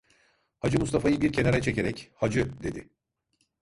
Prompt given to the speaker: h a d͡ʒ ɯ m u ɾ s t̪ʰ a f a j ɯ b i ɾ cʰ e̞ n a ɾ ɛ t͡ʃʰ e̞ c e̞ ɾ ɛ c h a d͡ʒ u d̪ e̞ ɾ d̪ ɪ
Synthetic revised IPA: h a d͡ʒ ɯ m u s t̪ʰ a f a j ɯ b i ɾ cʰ e̞ n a ɾ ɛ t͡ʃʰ e̞ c e̞ ɾ ɛ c h a d͡ʒ ɯ d̪ e̞ d̪ ɪ